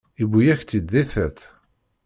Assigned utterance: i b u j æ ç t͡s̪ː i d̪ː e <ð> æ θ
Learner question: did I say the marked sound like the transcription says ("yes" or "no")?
no